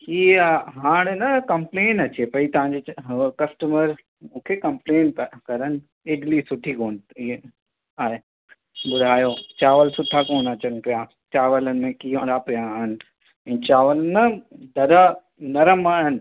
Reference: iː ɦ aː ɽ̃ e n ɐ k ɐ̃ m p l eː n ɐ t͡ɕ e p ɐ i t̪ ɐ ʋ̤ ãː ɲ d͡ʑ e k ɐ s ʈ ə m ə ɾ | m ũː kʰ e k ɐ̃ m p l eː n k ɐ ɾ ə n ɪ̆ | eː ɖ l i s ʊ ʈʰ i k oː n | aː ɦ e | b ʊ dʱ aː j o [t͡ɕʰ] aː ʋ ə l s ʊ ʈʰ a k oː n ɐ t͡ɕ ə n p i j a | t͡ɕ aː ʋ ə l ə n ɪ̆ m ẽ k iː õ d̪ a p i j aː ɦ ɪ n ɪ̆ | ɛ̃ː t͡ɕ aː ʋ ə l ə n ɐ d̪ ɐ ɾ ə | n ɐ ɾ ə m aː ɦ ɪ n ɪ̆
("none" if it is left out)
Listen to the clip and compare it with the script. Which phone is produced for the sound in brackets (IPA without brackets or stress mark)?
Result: t͡ɕ